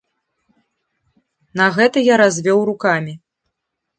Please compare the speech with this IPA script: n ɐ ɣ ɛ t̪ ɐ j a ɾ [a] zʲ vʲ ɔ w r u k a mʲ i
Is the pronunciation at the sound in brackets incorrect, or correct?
correct